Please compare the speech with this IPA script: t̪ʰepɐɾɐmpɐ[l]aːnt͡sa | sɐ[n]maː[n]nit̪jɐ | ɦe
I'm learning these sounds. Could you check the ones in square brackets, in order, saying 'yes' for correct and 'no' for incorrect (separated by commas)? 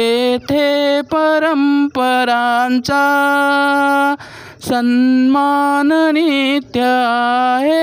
no, yes, yes